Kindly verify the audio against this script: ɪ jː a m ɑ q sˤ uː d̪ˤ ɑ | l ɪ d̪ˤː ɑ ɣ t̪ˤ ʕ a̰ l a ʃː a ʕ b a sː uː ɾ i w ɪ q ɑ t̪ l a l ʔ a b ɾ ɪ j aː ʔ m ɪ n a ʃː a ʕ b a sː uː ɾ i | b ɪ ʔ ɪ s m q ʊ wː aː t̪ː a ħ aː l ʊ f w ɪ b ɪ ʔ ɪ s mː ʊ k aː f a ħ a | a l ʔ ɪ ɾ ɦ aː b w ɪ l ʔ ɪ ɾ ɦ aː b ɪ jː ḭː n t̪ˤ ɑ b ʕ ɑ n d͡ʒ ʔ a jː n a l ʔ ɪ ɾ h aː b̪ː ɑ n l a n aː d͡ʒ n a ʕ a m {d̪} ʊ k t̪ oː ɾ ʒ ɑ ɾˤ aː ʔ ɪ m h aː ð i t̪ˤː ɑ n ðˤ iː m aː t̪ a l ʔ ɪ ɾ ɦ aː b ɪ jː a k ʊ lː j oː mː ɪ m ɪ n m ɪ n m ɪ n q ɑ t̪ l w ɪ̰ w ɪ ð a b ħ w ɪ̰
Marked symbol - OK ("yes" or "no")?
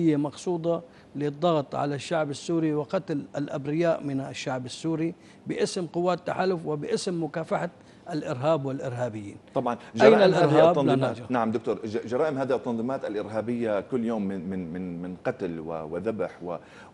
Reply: yes